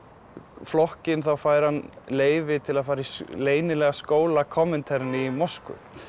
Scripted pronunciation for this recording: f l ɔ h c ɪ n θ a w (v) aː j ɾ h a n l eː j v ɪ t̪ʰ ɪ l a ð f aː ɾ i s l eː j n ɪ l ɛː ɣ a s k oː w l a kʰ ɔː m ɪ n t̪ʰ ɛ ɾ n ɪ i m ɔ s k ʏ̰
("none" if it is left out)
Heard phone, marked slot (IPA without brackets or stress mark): f